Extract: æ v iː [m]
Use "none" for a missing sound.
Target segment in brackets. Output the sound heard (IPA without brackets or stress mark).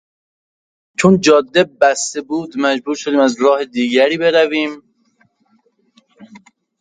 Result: m